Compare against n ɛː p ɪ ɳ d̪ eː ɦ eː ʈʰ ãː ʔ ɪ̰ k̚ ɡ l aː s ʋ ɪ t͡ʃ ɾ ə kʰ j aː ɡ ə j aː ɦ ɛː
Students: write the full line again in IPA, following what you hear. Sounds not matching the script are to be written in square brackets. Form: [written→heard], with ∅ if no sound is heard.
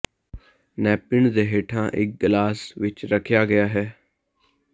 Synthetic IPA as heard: n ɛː p ɪ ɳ d̪ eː ɦ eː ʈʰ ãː ʔ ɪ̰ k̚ ɡ l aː s ʋ ɪ t͡ʃ ɾ ə kʰ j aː ɡ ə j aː ɦ ɛː